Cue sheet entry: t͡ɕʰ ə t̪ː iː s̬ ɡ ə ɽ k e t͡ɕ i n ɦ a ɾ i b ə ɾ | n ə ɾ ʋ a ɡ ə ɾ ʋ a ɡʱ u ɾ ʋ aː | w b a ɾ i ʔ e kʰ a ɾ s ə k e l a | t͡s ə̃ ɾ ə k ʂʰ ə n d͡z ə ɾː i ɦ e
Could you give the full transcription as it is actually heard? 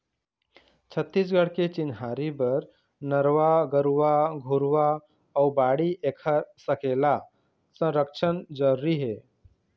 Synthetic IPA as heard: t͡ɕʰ ə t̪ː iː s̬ ɡ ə ɽ k e t͡ɕ i n ɦ a ɾ i b ə ɾ | n ə ɾ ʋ a ɡ ə ɾ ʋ a ɡʱ u ɾ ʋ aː | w b a ɽ i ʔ e kʰ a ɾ s ə k e l a | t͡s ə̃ ɾ ə k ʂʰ ə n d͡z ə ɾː i ɦ e